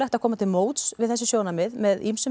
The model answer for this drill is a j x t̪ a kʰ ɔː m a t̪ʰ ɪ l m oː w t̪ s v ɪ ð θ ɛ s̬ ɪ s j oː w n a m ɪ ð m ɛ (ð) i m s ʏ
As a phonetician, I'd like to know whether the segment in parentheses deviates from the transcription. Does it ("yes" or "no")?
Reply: no